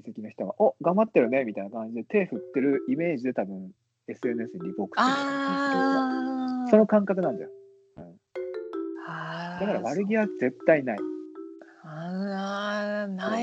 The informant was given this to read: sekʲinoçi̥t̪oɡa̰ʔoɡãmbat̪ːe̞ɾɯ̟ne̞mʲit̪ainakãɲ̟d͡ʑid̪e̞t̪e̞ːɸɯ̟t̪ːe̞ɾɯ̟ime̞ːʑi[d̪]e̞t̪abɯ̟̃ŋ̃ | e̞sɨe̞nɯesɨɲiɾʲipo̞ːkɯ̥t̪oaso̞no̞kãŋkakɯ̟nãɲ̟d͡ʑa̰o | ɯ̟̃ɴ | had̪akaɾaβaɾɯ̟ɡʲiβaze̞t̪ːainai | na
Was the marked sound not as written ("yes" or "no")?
no